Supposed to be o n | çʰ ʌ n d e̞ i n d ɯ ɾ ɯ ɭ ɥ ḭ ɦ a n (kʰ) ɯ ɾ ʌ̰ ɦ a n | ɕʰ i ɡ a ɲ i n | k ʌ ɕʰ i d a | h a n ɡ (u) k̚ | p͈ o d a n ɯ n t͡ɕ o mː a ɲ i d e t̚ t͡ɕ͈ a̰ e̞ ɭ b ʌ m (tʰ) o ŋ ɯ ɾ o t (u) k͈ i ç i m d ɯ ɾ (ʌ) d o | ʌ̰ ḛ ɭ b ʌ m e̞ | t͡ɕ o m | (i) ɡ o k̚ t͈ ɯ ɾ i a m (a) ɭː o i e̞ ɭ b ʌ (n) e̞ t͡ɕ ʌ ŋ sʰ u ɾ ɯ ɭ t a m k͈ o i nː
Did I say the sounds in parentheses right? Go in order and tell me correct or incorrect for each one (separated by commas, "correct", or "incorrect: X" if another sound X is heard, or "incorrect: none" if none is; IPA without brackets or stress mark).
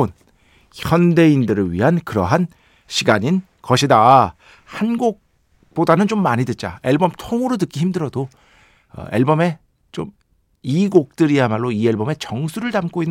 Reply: incorrect: k, incorrect: o, correct, incorrect: ɯ, correct, correct, correct, incorrect: m